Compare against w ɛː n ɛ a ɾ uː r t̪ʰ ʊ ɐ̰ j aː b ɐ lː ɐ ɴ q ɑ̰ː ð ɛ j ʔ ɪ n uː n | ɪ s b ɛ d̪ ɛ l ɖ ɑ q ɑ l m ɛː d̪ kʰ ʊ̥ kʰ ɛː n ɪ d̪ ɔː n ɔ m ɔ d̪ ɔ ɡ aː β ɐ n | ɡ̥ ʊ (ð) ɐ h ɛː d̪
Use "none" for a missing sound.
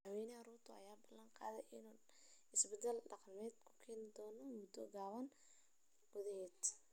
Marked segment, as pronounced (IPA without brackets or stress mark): ð